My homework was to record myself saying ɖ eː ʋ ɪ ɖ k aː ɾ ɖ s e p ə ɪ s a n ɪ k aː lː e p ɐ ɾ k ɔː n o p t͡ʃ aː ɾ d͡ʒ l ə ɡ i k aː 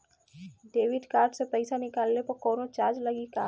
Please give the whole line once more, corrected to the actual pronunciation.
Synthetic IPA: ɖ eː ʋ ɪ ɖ k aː ɾ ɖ s e p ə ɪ s a n ɪ k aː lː e p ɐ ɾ k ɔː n o t͡ʃ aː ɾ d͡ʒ l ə ɡ i k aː